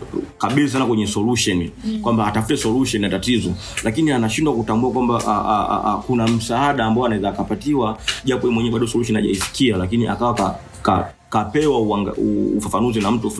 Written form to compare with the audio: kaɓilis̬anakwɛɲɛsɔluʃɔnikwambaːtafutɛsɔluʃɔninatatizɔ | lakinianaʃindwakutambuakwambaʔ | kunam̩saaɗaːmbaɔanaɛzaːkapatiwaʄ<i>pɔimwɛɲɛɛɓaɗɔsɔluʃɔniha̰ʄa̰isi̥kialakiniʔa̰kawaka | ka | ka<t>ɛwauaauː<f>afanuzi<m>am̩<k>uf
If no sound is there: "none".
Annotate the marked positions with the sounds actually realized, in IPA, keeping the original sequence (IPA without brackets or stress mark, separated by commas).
a, p, f, n, t